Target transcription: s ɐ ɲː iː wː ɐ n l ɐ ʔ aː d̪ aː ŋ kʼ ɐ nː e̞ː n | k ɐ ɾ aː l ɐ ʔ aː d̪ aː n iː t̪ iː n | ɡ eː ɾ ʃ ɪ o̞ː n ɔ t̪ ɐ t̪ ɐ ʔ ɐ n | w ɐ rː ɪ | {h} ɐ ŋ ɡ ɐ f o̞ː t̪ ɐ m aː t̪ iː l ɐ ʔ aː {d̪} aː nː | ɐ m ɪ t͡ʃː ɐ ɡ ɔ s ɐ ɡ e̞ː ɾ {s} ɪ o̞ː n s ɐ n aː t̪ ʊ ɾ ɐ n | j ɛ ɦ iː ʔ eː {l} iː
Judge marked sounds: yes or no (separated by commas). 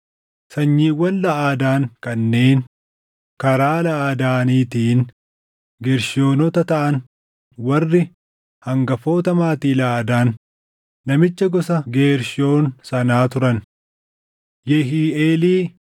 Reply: yes, yes, no, yes